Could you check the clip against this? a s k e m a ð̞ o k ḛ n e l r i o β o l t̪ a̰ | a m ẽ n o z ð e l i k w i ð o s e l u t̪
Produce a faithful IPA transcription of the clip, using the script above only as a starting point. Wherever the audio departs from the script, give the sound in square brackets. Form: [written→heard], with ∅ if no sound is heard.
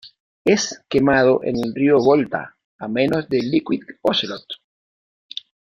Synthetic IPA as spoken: [a→e] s k e m a ð̞ o [k→ʔ] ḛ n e l r i o β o l t̪ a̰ | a m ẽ n o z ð e l i k w i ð o s e l [u→o] t̪